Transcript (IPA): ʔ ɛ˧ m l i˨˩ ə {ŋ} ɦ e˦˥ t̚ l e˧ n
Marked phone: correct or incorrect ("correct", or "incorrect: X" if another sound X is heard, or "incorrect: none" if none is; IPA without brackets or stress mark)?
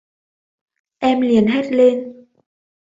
incorrect: n